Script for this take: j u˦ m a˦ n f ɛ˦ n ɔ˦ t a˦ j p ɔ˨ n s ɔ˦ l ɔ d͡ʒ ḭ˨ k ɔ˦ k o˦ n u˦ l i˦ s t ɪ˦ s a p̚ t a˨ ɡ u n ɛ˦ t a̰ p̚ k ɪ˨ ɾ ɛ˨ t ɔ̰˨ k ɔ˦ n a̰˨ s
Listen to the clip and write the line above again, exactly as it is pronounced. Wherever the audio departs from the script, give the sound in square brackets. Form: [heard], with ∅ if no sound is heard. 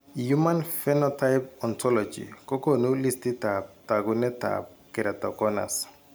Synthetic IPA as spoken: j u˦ m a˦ n f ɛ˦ n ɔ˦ t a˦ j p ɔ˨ n [t] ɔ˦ l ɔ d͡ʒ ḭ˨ k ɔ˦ k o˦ n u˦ l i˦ s t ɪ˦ [t] a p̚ t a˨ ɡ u n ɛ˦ t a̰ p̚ k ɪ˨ ɾ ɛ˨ t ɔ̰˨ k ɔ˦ n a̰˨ s